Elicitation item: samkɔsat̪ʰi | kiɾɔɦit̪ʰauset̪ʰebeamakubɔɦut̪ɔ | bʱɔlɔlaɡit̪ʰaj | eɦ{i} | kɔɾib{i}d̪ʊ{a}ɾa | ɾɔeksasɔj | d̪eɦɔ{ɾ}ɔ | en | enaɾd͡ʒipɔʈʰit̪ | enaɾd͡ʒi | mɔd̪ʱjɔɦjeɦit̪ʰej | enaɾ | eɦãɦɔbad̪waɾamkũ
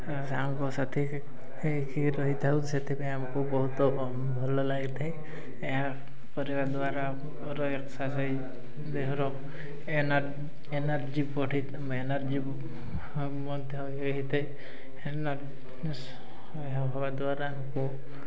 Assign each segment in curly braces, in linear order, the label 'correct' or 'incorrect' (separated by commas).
incorrect, incorrect, correct, correct